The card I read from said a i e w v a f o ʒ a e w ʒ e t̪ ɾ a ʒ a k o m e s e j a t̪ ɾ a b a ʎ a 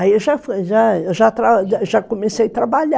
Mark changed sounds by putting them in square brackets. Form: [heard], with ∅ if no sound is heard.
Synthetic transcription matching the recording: a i e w [ʒ] a f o ʒ a e w ʒ [a] t̪ ɾ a ʒ a k o m e s e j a t̪ ɾ a b a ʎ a